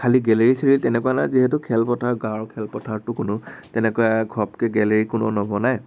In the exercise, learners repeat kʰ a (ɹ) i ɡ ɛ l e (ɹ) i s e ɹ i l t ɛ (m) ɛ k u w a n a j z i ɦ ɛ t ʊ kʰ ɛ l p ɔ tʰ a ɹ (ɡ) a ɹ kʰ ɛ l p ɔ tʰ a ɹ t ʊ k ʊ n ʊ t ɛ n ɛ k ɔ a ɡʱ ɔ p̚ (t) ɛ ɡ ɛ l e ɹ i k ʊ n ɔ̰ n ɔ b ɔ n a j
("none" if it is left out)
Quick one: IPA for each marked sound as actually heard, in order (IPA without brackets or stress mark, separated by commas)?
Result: l, ɹ, n, ɡ, k